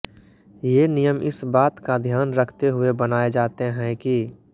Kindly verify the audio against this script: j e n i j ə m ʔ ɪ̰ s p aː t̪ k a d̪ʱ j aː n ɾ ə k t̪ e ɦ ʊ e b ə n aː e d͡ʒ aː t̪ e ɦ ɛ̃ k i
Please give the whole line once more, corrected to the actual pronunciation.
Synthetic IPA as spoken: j e n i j ə m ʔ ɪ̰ s b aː t̪ k a d̪ʱ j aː n ɾ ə kʰ t̪ e ɦ ʊ e b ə n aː e d͡ʒ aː t̪ e ɦ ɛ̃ k i